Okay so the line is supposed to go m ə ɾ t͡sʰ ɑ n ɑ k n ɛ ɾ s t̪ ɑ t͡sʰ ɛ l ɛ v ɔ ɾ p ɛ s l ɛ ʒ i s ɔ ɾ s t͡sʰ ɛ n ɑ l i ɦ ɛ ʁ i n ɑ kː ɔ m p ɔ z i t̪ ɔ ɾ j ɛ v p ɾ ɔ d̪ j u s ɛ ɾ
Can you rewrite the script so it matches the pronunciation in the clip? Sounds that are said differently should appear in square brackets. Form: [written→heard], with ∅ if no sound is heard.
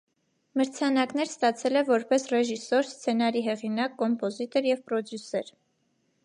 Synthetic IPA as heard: m ə ɾ t͡sʰ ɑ n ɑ k n ɛ ɾ s t̪ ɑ t͡sʰ ɛ l ɛ v ɔ ɾ p ɛ s [l→r] ɛ ʒ i s ɔ ɾ s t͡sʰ ɛ n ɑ [l→ɾ] i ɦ ɛ ʁ i n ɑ kː ɔ m p ɔ z i t̪ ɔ ɾ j ɛ v p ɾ ɔ d̪ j u s ɛ ɾ